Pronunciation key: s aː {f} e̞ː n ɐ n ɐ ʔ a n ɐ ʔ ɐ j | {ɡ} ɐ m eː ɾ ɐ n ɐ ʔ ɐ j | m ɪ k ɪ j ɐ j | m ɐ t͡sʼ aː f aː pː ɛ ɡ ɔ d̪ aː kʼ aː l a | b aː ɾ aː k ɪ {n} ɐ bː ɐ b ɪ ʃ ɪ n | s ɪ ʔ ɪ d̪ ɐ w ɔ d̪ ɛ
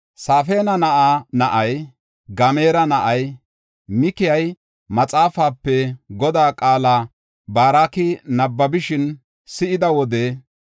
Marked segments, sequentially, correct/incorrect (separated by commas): correct, correct, correct